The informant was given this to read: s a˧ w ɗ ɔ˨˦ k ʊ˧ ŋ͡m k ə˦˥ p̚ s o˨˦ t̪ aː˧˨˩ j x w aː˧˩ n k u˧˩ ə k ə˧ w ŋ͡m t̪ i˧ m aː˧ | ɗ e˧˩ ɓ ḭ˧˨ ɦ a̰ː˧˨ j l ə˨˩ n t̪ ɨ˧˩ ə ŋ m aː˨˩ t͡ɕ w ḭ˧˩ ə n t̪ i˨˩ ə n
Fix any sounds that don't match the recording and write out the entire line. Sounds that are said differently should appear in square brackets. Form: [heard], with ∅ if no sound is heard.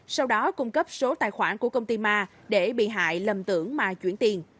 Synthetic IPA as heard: s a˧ w ɗ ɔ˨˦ k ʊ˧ ŋ͡m k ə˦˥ p̚ s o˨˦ t̪ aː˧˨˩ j x w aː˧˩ n k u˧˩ ə k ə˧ w ŋ͡m t̪ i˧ m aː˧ | ɗ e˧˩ ɓ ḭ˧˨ ɦ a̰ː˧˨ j l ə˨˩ [m] t̪ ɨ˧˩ ə ŋ m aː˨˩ t͡ɕ w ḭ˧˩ ə n t̪ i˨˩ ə n